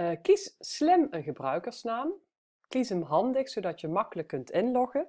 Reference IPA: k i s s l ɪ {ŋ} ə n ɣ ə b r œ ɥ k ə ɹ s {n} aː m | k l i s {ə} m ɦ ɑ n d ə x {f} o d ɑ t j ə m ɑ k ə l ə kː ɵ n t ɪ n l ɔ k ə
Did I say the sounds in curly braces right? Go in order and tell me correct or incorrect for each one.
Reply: incorrect: m, correct, correct, incorrect: s

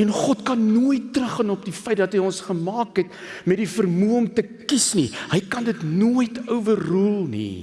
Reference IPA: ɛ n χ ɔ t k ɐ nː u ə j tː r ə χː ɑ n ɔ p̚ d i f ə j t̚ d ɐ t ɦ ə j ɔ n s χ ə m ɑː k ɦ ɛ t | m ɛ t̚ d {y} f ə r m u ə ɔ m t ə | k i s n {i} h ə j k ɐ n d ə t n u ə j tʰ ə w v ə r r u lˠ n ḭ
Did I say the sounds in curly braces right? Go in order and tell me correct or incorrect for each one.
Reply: incorrect: i, correct

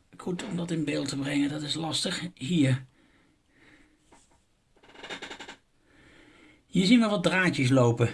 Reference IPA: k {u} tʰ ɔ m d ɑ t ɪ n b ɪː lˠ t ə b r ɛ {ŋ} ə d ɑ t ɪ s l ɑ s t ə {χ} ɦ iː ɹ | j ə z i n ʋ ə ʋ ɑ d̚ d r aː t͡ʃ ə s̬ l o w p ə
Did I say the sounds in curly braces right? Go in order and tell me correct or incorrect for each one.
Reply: correct, correct, correct

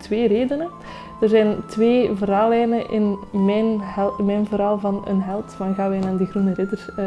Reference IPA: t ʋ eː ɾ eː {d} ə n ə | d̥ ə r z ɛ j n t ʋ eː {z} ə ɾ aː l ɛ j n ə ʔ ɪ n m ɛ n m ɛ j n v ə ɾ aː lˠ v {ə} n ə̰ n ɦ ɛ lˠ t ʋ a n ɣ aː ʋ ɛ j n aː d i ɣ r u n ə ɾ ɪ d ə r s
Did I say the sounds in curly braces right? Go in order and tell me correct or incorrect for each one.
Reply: correct, incorrect: v, incorrect: ɑ

